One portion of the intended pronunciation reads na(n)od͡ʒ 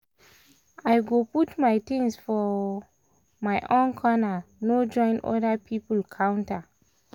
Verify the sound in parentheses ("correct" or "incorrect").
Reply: correct